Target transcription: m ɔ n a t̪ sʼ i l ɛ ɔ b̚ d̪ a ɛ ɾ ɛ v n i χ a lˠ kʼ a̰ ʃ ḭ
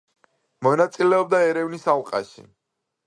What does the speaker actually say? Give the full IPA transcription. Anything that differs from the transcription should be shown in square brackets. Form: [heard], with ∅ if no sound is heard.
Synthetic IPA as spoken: m ɔ n a t̪ sʼ i l ɛ ɔ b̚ d̪ a ɛ ɾ ɛ v n i [s] a lˠ [qʼ] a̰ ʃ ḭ